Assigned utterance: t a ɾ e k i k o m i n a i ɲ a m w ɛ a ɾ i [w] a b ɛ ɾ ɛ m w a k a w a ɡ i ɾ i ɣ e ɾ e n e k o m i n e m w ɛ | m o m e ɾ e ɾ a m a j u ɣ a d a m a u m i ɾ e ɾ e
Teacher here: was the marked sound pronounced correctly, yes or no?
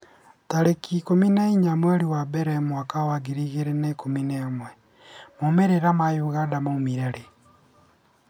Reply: yes